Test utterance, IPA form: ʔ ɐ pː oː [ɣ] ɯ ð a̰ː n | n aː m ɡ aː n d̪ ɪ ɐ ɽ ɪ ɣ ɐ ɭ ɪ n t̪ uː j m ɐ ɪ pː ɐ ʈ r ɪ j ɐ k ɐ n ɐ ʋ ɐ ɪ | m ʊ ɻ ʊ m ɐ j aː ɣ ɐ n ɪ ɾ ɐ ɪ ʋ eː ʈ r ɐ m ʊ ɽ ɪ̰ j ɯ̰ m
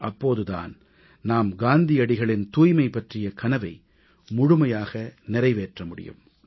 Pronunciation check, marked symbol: incorrect: ð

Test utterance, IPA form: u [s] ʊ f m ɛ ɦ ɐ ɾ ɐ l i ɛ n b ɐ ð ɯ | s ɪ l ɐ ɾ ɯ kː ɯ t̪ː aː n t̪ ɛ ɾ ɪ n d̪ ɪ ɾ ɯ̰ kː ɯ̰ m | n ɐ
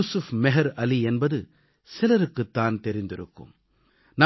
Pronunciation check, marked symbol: correct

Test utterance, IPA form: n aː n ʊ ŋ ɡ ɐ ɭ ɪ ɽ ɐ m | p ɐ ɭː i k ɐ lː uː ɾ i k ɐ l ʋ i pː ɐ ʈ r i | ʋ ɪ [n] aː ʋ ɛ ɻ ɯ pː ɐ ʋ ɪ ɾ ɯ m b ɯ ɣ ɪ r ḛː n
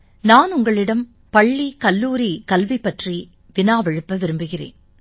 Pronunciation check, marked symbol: correct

